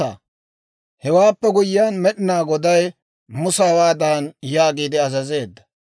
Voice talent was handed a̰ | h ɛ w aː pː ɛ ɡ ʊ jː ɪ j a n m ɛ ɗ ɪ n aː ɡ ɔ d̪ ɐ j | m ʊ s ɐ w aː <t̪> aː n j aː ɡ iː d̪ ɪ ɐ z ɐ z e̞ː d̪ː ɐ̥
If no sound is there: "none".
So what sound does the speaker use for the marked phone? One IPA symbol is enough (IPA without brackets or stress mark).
d̪